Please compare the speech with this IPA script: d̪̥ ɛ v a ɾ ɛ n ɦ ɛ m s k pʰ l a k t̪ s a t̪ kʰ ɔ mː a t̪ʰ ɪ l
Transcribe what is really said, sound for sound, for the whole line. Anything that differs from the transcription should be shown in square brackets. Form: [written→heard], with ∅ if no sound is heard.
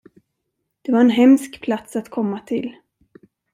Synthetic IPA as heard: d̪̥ ɛ v a ɾ ɛ n ɦ ɛ m s k pʰ l a [k→∅] t̪ s a t̪ kʰ ɔ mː a t̪ʰ ɪ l